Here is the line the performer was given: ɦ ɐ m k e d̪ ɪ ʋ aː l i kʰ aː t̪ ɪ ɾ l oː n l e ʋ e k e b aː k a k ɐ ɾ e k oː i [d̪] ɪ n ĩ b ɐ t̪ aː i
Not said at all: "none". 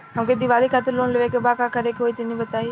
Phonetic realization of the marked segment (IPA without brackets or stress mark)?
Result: t̪